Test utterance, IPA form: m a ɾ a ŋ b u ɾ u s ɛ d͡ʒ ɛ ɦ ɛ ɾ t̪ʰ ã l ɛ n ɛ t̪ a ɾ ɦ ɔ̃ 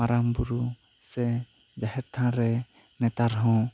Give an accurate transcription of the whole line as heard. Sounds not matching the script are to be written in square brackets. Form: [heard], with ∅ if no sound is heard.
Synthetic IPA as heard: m a ɾ a [m] b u ɾ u s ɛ d͡ʒ [a] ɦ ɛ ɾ t̪ʰ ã [ɾ] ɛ n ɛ t̪ a ɾ ɦ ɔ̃